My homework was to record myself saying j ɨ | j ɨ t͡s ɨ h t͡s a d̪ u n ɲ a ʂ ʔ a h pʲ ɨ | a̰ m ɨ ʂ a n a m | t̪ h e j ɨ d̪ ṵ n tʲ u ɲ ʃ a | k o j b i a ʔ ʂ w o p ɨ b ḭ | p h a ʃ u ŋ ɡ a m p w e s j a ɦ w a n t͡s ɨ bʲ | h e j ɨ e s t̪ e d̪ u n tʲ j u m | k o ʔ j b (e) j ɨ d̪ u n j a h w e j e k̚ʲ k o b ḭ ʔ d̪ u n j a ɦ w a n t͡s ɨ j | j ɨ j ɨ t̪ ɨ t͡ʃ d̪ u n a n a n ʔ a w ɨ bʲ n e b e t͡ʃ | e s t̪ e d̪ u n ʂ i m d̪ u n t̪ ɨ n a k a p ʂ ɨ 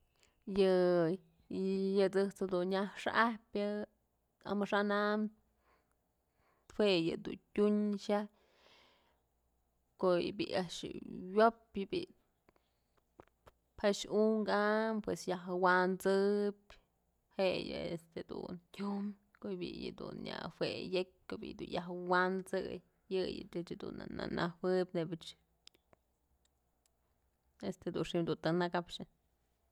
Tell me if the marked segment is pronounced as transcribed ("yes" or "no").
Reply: no